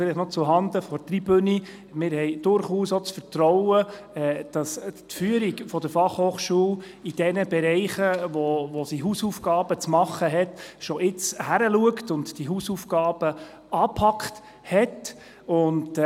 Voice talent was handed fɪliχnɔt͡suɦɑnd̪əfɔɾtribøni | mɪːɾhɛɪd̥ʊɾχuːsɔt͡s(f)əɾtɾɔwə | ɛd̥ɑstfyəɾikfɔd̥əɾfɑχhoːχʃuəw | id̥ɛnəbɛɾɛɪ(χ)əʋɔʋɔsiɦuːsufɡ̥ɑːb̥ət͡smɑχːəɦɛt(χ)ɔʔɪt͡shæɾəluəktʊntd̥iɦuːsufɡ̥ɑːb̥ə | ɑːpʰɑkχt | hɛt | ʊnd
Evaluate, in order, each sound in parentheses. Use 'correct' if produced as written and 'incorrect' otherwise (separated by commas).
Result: correct, correct, incorrect